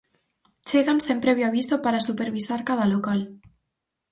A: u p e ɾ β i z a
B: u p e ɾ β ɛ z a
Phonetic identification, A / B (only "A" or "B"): A